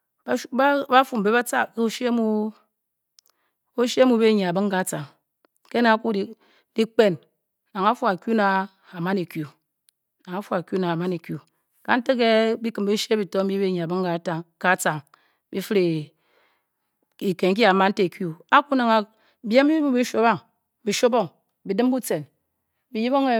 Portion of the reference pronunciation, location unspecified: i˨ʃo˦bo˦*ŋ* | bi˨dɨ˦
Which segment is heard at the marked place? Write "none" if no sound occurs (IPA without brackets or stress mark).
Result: ŋ